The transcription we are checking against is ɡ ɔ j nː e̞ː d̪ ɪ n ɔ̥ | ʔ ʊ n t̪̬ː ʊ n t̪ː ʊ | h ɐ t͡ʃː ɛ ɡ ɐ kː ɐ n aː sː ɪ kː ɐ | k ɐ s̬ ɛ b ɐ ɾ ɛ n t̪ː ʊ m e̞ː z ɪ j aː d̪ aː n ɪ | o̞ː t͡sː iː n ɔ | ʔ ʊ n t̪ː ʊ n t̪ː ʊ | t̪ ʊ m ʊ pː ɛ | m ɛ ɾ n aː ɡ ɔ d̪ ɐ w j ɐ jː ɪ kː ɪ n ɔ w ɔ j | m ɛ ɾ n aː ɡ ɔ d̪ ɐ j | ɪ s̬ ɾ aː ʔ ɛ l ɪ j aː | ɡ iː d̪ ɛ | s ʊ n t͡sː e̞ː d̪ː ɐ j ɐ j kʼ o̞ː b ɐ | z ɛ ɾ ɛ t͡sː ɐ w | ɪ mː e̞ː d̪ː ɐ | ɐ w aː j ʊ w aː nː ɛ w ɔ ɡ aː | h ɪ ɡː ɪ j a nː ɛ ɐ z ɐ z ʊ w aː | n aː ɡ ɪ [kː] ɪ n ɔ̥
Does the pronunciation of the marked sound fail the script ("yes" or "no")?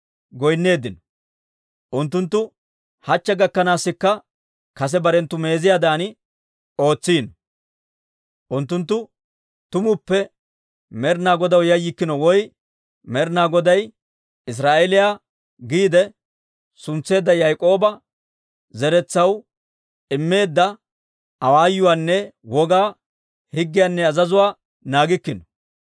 no